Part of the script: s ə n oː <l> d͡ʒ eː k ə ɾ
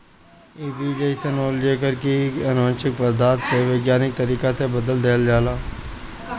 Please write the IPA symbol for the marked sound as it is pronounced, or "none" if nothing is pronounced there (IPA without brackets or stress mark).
l